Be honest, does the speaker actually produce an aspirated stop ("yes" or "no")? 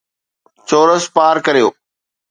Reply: no